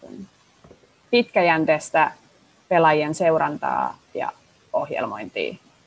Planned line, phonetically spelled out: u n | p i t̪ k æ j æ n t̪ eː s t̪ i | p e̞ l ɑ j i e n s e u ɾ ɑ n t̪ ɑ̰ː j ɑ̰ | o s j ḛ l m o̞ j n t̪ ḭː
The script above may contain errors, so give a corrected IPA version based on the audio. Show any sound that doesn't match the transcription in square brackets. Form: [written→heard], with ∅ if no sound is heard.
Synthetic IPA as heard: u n | p i t̪ k æ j æ n t̪ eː s t̪ [i→æ] | p e̞ l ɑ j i e n s e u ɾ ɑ n t̪ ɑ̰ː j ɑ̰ | o [s→h] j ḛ l m o̞ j n t̪ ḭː